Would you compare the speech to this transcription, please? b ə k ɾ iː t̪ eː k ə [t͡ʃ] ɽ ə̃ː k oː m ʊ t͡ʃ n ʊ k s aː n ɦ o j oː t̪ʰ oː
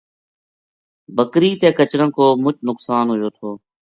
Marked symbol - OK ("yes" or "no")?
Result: yes